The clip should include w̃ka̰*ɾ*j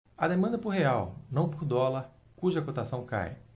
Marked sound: incorrect: none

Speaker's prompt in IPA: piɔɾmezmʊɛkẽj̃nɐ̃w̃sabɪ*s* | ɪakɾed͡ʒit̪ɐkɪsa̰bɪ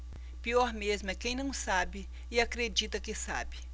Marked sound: incorrect: none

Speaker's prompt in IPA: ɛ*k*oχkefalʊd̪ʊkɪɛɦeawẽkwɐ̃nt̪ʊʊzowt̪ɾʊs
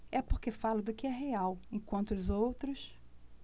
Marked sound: incorrect: p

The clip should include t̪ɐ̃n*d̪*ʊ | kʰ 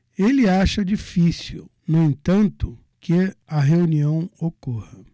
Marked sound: incorrect: t̪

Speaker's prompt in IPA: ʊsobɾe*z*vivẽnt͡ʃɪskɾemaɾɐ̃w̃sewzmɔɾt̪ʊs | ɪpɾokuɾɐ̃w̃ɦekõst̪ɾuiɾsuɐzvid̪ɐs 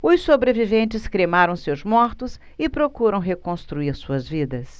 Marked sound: incorrect: none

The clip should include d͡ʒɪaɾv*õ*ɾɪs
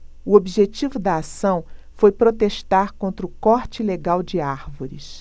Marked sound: incorrect: o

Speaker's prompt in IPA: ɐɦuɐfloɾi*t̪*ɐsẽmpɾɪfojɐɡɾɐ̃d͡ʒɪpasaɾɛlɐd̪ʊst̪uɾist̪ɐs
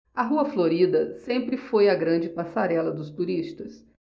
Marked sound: incorrect: d̪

